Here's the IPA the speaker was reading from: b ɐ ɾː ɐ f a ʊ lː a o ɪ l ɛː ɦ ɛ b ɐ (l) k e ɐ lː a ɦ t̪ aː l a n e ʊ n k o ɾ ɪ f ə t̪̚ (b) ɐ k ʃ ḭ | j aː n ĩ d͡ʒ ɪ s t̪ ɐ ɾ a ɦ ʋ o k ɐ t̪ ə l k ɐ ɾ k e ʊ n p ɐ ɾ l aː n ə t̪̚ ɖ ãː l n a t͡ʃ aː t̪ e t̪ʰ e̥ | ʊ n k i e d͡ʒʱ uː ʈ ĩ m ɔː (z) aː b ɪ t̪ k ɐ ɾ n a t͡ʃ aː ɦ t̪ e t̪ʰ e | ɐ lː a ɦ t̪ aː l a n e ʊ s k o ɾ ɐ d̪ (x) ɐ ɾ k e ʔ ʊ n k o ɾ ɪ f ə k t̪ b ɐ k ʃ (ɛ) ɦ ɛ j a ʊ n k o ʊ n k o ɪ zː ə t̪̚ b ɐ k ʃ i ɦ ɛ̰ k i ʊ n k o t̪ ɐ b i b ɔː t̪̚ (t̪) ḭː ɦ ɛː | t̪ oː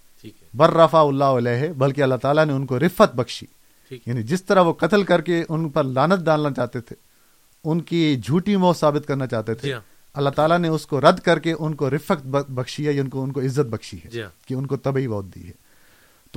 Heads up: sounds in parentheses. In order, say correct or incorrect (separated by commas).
correct, correct, incorrect, incorrect, incorrect, incorrect